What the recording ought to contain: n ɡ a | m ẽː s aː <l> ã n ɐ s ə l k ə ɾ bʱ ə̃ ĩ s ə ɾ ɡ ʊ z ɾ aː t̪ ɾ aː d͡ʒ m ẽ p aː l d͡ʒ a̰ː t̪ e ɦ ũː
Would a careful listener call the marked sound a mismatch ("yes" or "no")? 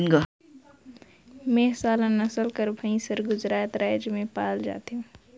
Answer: no